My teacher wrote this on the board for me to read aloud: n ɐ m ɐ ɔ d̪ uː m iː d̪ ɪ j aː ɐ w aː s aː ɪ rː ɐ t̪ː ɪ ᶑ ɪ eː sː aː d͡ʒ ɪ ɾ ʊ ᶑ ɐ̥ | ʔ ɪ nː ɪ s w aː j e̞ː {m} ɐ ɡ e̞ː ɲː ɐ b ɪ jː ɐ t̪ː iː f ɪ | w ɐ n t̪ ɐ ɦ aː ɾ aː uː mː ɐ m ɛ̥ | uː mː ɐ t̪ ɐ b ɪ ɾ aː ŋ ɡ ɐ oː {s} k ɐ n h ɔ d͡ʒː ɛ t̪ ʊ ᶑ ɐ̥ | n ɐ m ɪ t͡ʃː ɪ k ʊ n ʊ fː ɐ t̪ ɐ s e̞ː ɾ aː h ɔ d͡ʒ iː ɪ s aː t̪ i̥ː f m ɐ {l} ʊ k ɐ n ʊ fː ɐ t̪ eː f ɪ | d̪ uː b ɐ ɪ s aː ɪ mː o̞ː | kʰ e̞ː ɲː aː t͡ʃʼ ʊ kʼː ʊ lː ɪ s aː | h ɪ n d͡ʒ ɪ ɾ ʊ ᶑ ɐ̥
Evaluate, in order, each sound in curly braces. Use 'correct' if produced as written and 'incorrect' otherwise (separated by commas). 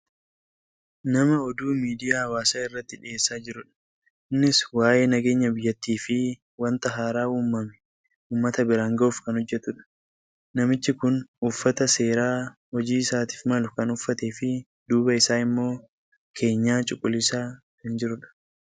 incorrect, incorrect, correct